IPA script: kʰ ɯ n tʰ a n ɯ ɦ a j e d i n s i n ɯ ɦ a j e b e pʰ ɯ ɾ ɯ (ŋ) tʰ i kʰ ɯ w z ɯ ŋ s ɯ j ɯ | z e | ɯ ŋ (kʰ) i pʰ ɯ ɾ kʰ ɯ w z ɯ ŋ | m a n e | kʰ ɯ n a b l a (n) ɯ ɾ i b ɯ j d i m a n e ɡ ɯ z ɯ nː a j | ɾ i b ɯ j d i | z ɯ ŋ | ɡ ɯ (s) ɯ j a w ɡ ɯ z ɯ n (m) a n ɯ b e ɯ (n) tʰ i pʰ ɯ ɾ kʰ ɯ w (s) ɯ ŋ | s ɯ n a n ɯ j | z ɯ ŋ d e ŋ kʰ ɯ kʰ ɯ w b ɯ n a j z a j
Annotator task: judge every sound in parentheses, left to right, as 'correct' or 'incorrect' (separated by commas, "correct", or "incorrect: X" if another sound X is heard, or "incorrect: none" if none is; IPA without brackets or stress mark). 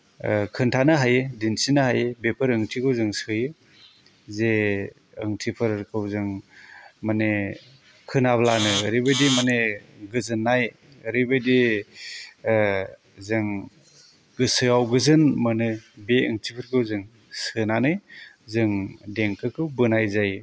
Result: correct, incorrect: tʰ, correct, correct, correct, incorrect: ŋ, incorrect: z